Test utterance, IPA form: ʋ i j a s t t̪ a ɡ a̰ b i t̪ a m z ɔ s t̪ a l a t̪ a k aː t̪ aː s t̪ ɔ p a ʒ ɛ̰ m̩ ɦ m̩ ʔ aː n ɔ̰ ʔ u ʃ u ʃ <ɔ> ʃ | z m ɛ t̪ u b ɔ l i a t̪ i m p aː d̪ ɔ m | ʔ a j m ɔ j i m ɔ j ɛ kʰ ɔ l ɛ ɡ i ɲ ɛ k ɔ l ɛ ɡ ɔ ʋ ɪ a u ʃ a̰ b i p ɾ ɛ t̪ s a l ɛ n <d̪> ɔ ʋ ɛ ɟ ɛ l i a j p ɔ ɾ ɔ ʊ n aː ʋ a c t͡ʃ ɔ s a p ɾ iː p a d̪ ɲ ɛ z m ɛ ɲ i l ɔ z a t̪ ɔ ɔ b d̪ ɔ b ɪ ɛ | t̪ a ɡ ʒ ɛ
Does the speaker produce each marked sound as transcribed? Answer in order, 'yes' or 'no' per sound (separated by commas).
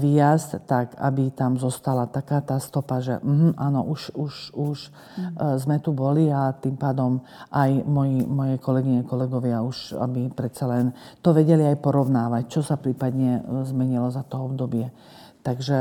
no, no